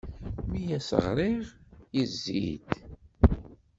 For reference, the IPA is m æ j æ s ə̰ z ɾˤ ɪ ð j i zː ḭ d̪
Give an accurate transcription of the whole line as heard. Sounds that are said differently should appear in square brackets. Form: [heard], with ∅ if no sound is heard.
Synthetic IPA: m [i] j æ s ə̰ [ʁ] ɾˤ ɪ [ʁ] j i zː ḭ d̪

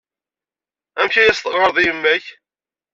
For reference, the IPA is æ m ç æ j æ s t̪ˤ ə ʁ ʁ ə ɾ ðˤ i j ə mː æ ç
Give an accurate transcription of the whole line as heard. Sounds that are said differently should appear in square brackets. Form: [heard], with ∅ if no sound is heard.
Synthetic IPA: æ m ç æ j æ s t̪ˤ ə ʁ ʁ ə ɾ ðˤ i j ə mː æ ç

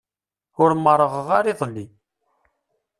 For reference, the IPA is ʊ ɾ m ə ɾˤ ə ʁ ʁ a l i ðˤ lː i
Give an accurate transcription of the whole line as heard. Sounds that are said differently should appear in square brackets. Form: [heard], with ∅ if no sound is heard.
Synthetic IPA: ʊ ɾ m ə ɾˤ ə ʁ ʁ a [ɾ] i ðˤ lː i

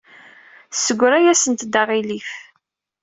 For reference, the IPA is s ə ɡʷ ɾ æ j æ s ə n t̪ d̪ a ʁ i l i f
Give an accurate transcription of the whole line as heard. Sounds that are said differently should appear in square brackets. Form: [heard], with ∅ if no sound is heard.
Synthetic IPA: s ə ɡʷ ɾ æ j æ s ə n t̪ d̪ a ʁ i l i f

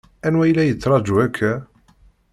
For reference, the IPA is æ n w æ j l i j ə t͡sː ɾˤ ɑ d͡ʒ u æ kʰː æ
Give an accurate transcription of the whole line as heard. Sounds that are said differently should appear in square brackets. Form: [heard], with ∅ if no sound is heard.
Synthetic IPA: æ n w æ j l [æ] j ə t͡sː ɾˤ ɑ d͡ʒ u æ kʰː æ

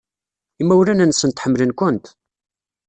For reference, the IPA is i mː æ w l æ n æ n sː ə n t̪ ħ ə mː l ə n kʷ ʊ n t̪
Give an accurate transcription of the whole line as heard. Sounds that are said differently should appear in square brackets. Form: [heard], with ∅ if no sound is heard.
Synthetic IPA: i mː æ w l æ n æ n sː ə n t̪ ħ ə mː l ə n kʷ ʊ n t̪

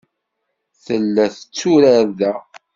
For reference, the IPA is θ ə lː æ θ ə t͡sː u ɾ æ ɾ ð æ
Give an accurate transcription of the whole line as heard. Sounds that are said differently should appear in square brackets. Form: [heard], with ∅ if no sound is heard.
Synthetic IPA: θ ə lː æ θ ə t͡sː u ɾ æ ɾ ð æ

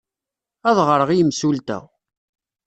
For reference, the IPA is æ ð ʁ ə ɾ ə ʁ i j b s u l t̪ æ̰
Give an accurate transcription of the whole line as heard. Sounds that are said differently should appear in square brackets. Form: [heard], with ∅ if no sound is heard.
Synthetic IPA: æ ð ʁ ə ɾ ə ʁ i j [m] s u l t̪ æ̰

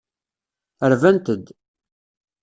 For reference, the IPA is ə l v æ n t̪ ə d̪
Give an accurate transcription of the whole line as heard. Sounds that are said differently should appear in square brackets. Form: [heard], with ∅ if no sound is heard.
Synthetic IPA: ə [ɾ] v æ n t̪ ə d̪

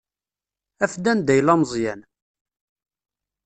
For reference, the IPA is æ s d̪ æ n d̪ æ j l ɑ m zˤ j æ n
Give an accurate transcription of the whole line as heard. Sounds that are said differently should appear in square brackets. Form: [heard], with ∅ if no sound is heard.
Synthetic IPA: æ [f] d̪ æ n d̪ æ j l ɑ m zˤ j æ n

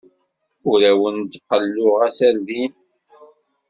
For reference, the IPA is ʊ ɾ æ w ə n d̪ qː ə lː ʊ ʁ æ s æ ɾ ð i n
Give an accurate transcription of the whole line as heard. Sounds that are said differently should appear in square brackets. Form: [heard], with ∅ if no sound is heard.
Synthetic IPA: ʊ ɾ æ w ə n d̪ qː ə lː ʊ ʁ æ s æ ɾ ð i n

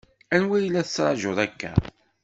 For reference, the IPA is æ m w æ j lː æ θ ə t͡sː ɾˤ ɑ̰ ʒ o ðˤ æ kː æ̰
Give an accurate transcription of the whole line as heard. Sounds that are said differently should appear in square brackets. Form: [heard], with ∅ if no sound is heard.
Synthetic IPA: æ [n] w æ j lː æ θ ə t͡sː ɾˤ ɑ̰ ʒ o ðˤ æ kː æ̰

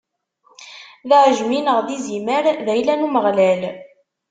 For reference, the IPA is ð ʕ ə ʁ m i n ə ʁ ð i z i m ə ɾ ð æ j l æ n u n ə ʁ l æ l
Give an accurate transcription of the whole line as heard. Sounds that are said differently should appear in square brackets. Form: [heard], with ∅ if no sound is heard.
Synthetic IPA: ð ʕ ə [ʒ] m i n ə ʁ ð i z i m ə ɾ ð æ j l æ n u [m] ə ʁ l æ l

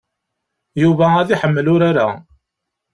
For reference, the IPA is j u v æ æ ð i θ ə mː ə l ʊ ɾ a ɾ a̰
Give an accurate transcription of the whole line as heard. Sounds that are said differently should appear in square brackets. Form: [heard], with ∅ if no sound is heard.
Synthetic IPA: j u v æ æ ð i [ħ] ə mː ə l ʊ ɾ a ɾ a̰

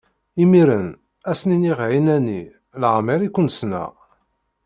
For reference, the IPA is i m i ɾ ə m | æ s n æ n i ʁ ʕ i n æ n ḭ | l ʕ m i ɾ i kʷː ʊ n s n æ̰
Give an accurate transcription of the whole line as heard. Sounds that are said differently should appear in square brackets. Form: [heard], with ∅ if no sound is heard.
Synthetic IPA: i m i ɾ ə [n] | æ s n [i] n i ʁ ʕ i n æ n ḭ | l ʕ m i ɾ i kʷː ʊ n s n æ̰

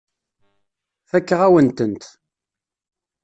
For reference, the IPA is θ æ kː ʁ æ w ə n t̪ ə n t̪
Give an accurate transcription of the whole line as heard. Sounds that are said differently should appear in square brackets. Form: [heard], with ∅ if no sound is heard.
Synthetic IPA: θ æ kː ʁ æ w ə n t̪ ə n t̪

